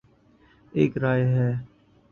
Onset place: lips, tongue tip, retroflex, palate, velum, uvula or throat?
velum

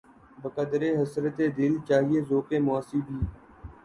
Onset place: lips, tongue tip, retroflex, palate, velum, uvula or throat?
lips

